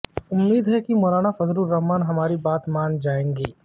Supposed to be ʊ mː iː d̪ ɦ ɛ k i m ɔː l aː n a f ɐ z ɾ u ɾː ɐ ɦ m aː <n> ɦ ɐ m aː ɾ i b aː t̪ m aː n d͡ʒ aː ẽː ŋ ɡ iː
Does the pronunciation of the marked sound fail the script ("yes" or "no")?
no